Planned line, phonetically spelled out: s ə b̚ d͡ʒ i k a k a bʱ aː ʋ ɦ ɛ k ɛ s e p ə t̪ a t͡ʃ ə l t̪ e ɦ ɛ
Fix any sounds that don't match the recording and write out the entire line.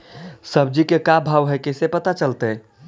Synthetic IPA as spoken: s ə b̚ d͡ʒ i k e k a bʱ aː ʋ ɦ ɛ k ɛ s e p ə t̪ a t͡ʃ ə l t̪ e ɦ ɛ